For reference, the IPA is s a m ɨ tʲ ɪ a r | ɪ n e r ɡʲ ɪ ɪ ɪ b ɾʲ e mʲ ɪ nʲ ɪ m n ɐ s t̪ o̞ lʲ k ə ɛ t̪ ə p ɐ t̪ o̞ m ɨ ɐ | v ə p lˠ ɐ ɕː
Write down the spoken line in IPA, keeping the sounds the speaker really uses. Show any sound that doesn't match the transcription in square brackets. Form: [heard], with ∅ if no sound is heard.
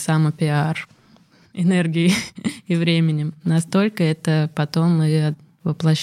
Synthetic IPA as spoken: s a m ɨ [pʲ] ɪ a r | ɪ n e r ɡʲ ɪ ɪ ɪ [v] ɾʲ e mʲ ɪ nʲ ɪ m n ɐ s t̪ o̞ lʲ k ə ɛ t̪ ə p ɐ t̪ o̞ m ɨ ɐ | v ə p lˠ ɐ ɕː